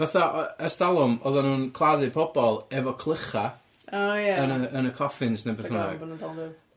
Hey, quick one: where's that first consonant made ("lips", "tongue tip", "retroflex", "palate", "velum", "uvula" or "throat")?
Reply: lips